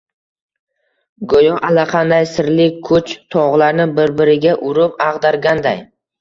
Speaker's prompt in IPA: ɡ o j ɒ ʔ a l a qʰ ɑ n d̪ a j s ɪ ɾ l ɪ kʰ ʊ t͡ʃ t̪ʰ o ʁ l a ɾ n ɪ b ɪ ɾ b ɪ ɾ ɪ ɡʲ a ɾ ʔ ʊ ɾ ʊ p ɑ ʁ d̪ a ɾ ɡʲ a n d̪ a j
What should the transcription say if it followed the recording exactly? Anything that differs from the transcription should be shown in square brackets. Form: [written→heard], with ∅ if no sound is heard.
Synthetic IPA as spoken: ɡ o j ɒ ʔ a l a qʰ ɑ n d̪ a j s ɪ ɾ l ɪ kʰ ʊ t͡ʃ t̪ʰ [o→ɒ] ʁ l a ɾ n ɪ b ɪ ɾ b ɪ ɾ ɪ ɡʲ a [ɾ→∅] ʔ ʊ ɾ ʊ p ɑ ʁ d̪ a ɾ ɡʲ a n d̪ a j